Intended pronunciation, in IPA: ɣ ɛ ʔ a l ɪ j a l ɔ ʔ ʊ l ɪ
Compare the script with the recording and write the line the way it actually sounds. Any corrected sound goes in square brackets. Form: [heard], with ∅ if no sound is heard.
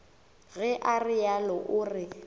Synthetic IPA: ɣ ɛ ʔ a [r] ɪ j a l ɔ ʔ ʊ [r] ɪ